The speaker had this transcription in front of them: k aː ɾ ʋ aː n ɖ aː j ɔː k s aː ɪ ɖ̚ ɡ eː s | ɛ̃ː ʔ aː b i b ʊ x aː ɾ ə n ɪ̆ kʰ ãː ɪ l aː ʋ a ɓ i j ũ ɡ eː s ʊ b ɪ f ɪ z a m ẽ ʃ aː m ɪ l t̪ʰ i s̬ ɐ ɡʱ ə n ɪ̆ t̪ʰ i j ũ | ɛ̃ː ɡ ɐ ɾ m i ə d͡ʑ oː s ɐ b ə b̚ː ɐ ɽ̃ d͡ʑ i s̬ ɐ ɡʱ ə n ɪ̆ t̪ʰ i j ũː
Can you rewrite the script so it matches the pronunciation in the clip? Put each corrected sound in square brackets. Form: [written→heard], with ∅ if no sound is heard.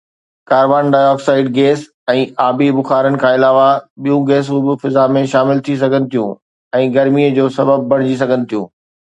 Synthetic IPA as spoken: k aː ɾ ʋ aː n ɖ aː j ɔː k s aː ɪ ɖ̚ ɡ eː s | ɛ̃ː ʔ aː b i b ʊ x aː ɾ ə n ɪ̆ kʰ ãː ɪ l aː ʋ a ɓ i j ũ ɡ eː s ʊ b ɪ f ɪ z a m ẽ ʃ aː m ɪ l t̪ʰ i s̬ ɐ ɡʱ ə n ɪ̆ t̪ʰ i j ũ | ɛ̃ː ɡ ɐ ɾ m i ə d͡ʑ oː s ɐ b ə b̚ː ɐ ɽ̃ d͡ʑ i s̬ ɐ ɡʱ ə n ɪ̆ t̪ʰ i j ũː